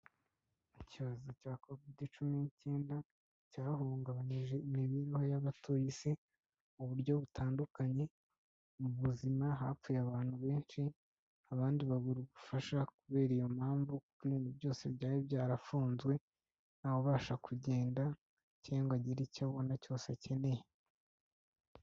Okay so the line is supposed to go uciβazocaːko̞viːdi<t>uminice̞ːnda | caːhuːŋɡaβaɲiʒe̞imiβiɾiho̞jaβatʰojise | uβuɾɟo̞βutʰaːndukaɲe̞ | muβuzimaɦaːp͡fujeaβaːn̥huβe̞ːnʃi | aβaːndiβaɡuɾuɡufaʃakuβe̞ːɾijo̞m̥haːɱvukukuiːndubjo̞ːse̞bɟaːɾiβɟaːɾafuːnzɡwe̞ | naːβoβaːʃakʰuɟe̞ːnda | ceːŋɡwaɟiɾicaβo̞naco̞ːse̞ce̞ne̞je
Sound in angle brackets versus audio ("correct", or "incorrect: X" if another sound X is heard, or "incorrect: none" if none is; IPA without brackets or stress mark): incorrect: t͡ʃ